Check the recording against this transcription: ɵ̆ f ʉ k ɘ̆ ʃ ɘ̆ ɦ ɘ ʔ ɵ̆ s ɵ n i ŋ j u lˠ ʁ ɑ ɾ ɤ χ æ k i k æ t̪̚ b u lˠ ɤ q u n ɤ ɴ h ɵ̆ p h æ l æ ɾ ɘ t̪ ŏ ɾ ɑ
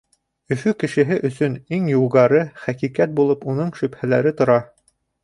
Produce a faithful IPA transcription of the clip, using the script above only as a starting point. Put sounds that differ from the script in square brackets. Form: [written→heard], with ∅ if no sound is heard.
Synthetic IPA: ɵ̆ f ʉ k ɘ̆ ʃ ɘ̆ ɦ ɘ ʔ ɵ̆ s ɵ n i ŋ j u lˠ ʁ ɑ ɾ ɤ χ æ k i k æ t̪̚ b u lˠ ɤ [q→p] u n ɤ ɴ [h→ʃ] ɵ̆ p h æ l æ ɾ ɘ t̪ ŏ ɾ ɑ